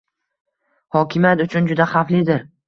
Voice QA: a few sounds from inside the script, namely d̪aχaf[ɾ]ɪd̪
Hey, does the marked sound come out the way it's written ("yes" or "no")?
no